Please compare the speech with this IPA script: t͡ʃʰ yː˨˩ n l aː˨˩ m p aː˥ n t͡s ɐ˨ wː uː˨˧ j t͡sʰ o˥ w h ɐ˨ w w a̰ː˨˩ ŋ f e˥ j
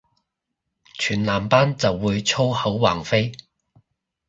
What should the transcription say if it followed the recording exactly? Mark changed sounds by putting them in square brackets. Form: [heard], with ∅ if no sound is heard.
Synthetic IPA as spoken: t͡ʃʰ yː˨˩ n l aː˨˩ m p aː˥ n t͡s ɐ˨ wː uː˨˧ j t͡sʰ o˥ w h [ɐ˨˥] w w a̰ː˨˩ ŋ f e˥ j